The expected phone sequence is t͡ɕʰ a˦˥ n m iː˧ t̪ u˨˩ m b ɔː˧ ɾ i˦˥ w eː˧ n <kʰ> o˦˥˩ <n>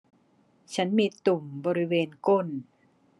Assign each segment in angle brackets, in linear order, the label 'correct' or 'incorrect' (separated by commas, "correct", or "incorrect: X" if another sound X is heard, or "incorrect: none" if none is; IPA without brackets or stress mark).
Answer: incorrect: k, correct